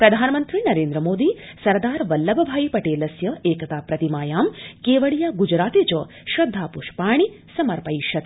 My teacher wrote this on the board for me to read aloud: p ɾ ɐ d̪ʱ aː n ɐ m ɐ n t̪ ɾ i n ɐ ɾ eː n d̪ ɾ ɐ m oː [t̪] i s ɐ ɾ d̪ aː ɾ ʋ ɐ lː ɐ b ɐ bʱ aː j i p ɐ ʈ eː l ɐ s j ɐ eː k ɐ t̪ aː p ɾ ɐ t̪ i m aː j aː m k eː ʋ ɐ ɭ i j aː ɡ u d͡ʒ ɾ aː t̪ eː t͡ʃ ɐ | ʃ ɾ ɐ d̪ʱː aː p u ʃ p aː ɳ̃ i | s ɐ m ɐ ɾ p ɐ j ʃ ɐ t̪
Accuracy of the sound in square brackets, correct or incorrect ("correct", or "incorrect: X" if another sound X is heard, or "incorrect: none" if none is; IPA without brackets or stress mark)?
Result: incorrect: d̪